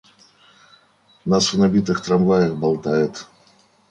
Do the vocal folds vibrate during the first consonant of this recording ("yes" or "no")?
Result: yes